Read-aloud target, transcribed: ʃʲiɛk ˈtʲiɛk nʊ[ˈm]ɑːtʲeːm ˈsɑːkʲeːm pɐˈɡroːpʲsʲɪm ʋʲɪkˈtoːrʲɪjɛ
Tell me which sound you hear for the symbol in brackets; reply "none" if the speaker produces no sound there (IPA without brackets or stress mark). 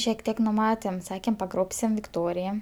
m